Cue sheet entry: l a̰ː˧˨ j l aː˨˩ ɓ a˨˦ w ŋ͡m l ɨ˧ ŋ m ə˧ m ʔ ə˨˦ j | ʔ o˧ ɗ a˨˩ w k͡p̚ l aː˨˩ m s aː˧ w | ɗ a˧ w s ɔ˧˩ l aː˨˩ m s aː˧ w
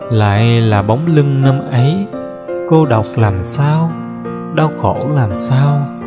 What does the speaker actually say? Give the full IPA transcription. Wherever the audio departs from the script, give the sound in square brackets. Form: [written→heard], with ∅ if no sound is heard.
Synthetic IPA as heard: l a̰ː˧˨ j l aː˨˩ ɓ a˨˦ w ŋ͡m l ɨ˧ ŋ [m→n] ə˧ m ʔ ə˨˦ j | [ʔ→k] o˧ ɗ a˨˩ w k͡p̚ l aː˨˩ m s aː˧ w | ɗ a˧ w [s→x] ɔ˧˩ l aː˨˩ m s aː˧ w